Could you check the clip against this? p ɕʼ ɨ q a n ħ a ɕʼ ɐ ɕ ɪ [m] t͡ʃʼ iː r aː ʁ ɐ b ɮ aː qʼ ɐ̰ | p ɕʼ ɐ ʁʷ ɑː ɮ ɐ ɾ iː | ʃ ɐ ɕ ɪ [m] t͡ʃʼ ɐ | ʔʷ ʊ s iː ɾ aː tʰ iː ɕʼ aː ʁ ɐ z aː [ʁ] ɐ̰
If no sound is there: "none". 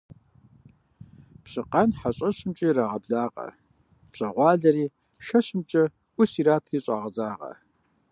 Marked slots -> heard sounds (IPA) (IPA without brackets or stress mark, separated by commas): m, m, ʁ